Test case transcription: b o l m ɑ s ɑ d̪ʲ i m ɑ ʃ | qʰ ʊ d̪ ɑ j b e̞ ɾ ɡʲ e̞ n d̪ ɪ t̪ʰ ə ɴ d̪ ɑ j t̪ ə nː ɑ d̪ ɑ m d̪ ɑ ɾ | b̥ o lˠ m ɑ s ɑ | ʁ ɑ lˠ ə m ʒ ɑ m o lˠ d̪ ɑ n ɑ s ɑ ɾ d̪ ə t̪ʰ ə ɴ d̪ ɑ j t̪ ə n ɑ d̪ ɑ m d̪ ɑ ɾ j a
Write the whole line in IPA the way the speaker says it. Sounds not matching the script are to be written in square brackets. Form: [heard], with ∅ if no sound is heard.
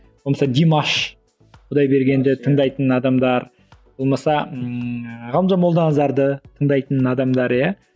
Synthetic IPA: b o l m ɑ s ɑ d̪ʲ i m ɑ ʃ | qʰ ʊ d̪ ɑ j b e̞ ɾ ɡʲ e̞ n d̪ ɪ t̪ʰ ə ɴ d̪ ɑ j t̪ ə [n] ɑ d̪ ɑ m d̪ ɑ ɾ | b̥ o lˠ m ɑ s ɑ | ʁ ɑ lˠ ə m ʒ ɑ m o lˠ d̪ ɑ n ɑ [z] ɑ ɾ d̪ ə t̪ʰ ə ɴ d̪ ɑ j t̪ ə n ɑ d̪ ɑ m d̪ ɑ ɾ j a

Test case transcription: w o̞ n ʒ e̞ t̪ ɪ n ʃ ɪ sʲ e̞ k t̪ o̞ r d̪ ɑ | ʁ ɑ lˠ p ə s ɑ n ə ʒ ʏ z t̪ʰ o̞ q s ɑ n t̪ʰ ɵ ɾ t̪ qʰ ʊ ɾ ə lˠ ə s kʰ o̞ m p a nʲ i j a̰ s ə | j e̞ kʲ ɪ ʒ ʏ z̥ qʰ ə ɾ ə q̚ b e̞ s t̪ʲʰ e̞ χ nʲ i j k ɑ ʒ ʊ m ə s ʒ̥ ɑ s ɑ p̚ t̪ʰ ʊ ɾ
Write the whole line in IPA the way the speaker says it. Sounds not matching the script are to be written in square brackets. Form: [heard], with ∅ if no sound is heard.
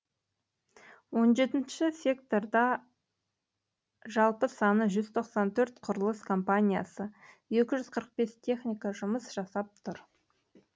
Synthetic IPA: w o̞ n ʒ e̞ t̪ ɪ n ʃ ɪ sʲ e̞ k t̪ o̞ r d̪ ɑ | [ʒ] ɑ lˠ p ə s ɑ n ə ʒ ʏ z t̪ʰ o̞ q s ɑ n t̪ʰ ɵ ɾ t̪ qʰ ʊ ɾ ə lˠ ə s kʰ o̞ m p a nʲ i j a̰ s ə | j e̞ kʲ ɪ ʒ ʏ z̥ qʰ ə ɾ ə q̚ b e̞ s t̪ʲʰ e̞ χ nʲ i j k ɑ ʒ ʊ m ə s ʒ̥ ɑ s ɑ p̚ t̪ʰ ʊ ɾ

